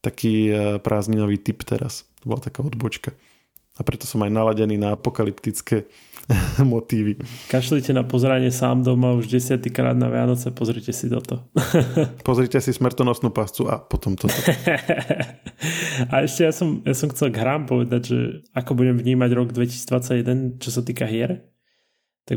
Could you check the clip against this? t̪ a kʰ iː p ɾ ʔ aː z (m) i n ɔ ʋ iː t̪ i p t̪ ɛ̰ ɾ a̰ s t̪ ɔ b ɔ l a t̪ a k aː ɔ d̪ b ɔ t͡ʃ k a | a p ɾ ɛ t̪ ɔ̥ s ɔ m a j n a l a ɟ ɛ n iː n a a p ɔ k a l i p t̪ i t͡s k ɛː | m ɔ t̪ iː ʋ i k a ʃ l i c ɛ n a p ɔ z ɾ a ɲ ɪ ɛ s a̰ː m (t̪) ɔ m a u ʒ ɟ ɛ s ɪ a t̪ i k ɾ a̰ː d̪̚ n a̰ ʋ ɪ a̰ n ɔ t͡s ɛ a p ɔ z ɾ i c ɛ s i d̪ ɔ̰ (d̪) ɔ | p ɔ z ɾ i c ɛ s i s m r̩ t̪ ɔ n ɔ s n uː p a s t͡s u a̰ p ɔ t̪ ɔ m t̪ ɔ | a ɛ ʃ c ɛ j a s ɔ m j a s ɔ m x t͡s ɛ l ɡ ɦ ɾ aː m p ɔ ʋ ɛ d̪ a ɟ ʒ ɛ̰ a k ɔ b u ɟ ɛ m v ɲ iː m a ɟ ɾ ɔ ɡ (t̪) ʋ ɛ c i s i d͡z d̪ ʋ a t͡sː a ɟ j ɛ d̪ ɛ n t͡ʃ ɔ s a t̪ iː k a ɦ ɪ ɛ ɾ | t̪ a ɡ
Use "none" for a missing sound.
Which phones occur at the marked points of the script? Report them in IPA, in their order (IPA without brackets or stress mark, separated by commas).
ɲ, d̪, t̪, d̪